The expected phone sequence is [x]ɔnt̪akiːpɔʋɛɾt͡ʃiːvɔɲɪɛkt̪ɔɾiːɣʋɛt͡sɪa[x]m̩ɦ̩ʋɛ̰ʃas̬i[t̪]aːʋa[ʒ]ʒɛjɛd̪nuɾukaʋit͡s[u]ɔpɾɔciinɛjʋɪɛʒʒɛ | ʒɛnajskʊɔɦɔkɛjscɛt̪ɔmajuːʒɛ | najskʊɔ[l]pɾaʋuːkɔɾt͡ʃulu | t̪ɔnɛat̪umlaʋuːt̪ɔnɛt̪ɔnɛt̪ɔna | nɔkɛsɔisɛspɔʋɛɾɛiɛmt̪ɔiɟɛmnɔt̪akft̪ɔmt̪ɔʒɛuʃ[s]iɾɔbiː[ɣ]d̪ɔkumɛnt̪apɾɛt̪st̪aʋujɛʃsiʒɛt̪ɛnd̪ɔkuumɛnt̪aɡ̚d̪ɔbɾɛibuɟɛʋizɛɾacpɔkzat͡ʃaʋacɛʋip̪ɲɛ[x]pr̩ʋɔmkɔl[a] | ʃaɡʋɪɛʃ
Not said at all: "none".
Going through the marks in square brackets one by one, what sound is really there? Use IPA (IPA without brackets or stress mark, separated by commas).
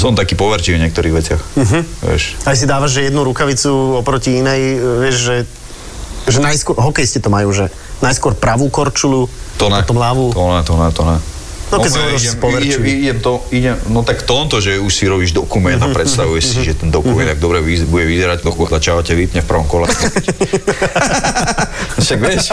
s, x, d̪, ʒ, u, ɾ, s, ʒ, f, ɛ